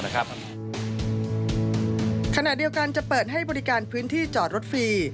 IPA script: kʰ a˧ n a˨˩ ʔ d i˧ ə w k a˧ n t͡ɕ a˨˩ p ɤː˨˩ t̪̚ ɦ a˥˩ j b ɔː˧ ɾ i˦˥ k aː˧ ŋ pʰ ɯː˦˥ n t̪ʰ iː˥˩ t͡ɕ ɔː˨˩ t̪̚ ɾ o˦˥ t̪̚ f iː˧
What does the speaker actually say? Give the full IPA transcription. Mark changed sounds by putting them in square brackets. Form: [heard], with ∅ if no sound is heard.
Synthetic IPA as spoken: kʰ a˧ n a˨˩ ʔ d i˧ ə w k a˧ n t͡ɕ a˨˩ p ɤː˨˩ t̪̚ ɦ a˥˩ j b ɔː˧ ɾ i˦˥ k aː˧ [n] pʰ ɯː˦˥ n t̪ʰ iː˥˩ t͡ɕ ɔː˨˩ t̪̚ ɾ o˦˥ t̪̚ f iː˧